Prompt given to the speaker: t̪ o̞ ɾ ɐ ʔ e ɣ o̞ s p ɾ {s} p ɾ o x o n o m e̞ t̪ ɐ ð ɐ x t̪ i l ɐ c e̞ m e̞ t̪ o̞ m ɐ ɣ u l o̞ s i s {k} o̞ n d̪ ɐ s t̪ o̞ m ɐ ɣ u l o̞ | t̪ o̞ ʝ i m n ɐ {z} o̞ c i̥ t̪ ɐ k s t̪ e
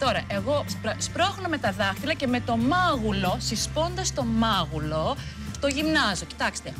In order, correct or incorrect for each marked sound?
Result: correct, incorrect: p, correct

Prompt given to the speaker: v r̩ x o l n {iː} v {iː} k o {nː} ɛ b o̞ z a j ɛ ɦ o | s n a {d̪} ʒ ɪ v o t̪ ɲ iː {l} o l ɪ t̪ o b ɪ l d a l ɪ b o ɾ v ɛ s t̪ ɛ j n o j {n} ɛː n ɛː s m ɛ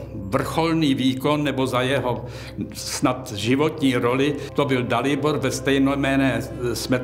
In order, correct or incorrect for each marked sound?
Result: correct, correct, correct, incorrect: t̪, incorrect: ɾ, incorrect: m

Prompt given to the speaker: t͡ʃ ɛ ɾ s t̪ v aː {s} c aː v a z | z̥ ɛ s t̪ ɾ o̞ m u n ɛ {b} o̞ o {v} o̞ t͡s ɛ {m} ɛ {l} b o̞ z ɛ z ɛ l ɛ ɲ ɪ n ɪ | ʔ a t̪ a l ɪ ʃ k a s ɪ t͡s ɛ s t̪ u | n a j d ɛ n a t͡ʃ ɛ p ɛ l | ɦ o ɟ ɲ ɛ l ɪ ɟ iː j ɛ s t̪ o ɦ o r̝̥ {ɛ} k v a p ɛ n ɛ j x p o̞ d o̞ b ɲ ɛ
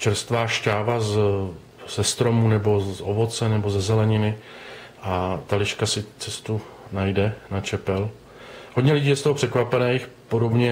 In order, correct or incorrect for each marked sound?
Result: incorrect: ʃ, correct, correct, incorrect: n, incorrect: none, correct

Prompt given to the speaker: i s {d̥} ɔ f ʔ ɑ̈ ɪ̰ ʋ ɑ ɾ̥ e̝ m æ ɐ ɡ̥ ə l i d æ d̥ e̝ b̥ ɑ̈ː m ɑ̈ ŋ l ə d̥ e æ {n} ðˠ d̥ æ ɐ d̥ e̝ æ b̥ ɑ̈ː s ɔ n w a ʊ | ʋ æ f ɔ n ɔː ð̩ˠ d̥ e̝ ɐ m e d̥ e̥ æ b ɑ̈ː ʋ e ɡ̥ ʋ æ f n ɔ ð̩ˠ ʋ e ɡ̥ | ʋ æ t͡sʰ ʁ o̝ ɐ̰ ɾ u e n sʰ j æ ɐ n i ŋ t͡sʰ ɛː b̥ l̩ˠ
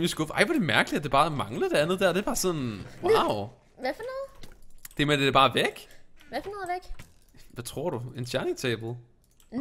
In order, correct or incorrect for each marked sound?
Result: incorrect: ɡ̥, correct

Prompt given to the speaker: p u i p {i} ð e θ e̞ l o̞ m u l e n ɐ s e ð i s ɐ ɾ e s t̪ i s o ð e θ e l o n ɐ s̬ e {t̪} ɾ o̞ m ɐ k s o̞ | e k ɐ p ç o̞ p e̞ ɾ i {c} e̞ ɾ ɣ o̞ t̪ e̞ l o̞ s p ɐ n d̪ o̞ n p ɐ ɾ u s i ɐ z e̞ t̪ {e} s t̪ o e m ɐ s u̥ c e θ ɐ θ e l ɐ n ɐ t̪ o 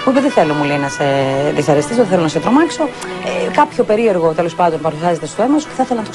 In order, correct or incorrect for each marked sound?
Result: incorrect: e, correct, incorrect: none, correct

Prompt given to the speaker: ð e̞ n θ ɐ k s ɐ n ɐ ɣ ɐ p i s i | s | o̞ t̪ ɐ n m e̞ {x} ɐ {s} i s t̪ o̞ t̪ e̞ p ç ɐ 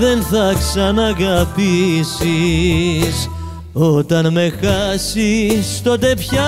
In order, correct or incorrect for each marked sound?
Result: correct, correct

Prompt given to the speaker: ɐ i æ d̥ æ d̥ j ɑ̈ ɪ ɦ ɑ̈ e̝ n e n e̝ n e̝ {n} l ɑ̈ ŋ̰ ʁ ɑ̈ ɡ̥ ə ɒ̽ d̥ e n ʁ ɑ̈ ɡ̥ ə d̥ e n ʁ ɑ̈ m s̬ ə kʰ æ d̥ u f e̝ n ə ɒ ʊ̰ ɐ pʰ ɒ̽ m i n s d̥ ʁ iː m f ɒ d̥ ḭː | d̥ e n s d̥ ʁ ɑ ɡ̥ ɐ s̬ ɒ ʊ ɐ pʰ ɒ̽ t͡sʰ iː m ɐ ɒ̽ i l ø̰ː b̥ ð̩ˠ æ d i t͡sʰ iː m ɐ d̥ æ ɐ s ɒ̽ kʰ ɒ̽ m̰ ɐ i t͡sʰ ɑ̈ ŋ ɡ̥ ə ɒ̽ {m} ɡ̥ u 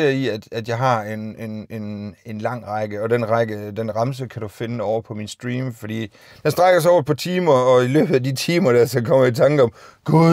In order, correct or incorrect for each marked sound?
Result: correct, correct

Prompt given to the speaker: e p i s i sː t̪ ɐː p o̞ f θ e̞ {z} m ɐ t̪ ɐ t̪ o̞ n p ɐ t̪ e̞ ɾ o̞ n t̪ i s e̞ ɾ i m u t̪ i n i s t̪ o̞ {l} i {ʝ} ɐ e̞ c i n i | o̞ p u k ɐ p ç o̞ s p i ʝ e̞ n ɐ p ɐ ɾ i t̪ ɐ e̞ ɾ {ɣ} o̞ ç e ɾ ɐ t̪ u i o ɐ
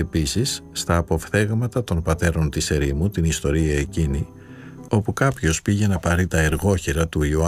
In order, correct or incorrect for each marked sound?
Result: incorrect: ɣ, incorrect: ɾ, incorrect: none, correct

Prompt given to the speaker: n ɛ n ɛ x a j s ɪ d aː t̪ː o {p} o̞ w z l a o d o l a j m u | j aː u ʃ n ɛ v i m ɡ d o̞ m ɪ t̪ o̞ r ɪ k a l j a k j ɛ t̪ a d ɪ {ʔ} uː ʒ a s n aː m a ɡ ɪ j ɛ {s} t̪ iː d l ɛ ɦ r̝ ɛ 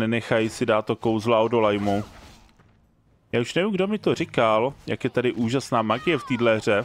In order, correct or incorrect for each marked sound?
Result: incorrect: k, correct, incorrect: f

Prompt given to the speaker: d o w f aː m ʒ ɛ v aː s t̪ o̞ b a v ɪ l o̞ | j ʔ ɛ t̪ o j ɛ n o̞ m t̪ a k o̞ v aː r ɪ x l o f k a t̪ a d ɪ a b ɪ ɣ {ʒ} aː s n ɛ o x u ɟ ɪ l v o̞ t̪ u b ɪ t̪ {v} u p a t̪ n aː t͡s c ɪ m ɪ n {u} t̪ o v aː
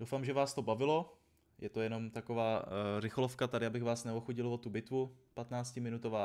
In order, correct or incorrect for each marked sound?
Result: incorrect: v, correct, correct

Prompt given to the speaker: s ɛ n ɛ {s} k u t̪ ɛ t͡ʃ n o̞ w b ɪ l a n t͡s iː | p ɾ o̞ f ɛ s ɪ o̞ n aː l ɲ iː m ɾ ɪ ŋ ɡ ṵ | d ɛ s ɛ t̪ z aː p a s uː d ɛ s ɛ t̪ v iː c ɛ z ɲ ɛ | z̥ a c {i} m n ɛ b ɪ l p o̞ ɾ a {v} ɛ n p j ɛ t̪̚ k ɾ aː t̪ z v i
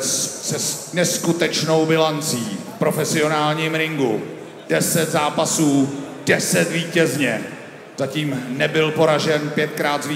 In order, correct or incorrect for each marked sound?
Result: correct, incorrect: iː, incorrect: ʒ

